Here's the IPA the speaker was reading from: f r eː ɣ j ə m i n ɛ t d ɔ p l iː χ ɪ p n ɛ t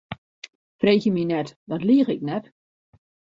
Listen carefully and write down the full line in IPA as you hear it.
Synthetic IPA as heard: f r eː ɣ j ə m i n ɛ t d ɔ t l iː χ ɪ k n ɛ t